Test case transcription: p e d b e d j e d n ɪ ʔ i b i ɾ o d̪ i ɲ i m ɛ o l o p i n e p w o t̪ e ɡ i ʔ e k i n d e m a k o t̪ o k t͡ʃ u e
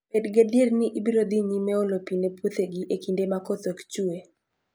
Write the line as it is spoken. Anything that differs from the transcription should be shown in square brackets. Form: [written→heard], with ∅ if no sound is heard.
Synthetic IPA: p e d [b→ɡ] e d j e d n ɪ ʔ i b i ɾ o d̪ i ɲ i m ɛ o l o p i n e p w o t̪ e ɡ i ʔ e k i n d e m a k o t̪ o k t͡ʃ u e